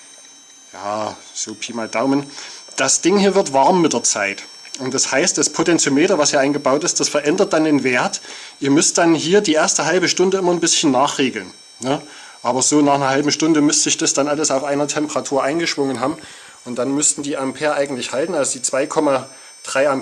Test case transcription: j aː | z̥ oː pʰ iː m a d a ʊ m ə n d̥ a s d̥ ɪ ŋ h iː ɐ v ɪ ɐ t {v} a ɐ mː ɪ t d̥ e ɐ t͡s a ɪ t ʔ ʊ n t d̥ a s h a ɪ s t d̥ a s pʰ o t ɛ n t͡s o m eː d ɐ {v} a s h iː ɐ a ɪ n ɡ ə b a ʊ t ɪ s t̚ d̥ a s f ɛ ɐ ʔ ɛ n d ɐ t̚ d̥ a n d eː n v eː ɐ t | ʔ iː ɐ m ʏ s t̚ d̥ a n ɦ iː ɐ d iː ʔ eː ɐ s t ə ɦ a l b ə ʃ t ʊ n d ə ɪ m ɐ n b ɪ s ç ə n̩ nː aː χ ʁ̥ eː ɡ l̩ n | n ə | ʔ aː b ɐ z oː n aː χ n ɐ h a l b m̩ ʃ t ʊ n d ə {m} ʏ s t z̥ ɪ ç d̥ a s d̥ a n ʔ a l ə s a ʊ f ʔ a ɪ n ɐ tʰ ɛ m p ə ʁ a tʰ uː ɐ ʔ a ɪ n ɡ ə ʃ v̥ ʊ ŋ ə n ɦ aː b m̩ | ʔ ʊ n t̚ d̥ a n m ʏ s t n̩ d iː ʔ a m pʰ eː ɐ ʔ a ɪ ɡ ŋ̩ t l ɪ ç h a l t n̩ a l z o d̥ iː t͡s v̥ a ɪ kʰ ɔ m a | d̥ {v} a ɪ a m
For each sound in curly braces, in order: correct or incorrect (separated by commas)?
correct, correct, correct, incorrect